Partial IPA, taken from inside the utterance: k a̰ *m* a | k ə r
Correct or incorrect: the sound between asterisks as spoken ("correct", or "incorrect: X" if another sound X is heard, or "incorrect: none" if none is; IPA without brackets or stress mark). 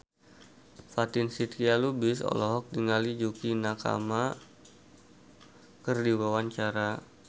correct